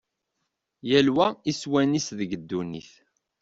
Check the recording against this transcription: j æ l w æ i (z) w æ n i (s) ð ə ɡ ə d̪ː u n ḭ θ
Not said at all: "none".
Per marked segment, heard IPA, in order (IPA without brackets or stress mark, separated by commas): s, s